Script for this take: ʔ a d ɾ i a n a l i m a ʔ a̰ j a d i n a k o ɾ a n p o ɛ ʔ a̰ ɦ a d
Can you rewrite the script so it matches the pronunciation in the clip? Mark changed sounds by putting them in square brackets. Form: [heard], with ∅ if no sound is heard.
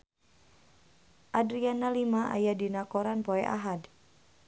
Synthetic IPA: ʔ a d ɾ i a n a l i m a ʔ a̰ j a d i n a k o ɾ a n p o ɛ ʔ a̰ ɦ a d